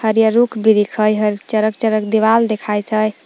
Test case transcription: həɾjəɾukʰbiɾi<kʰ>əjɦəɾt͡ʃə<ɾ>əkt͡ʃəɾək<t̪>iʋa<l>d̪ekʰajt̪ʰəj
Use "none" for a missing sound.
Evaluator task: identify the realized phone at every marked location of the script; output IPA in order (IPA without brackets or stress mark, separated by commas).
kʰ, ɾ, d̪, l